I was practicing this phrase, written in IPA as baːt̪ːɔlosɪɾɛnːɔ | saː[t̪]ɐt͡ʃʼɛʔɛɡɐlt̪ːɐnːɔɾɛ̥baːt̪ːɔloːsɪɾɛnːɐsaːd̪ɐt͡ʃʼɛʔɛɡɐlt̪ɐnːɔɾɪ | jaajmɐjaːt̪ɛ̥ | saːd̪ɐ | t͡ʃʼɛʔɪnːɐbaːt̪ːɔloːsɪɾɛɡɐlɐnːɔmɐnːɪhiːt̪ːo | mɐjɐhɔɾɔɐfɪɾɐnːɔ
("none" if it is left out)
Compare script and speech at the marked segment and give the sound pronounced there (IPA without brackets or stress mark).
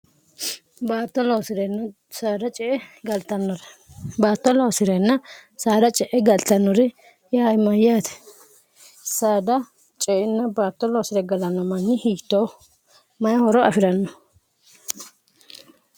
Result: d̪